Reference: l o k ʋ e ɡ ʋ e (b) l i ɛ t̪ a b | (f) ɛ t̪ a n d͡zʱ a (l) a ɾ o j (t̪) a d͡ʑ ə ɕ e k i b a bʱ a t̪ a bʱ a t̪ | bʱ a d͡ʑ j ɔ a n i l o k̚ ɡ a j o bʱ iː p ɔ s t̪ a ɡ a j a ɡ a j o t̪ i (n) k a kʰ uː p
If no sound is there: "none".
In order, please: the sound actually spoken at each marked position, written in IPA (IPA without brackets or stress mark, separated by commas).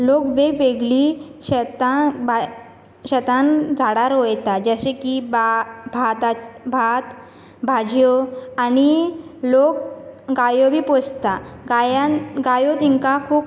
ɡ, ɕ, ɽ, t̪, ŋ